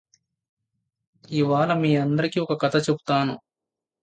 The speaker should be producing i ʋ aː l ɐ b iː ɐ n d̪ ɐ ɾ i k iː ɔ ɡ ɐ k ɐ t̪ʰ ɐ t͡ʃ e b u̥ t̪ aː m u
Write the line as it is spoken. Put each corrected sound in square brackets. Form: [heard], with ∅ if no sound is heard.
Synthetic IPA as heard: i ʋ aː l ɐ [m] iː ɐ n d̪ ɐ ɾ i k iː ɔ [k] ɐ k ɐ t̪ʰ ɐ t͡ʃ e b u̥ t̪ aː [n] u